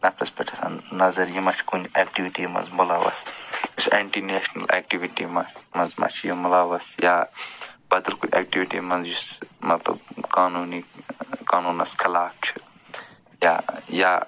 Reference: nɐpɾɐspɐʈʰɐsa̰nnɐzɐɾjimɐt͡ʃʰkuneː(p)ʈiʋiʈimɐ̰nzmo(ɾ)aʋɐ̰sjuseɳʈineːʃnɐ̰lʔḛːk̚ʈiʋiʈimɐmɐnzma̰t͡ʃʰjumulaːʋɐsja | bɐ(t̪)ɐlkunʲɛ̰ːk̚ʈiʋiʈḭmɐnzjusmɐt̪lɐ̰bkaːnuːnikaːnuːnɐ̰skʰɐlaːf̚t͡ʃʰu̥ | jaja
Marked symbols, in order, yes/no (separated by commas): no, no, no